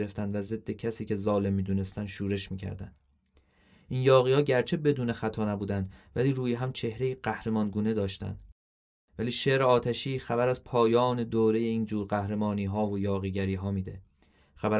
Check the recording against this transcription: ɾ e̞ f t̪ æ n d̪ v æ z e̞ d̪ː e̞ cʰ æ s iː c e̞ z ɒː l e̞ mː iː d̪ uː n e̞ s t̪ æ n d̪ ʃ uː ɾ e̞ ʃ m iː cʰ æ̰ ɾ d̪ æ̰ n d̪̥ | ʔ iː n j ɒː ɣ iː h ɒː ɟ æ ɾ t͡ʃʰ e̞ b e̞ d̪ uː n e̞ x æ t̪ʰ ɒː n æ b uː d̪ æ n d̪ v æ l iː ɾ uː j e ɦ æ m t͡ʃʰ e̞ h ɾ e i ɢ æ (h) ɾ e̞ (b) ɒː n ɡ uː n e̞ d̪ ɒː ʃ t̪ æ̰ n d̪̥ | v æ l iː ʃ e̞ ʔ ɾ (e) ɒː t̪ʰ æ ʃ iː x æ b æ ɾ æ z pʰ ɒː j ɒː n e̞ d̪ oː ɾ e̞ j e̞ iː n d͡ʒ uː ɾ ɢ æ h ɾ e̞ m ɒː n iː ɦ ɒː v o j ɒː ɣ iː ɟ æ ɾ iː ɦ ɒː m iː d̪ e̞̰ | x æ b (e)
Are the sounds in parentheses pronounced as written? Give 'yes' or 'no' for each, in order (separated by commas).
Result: yes, no, yes, no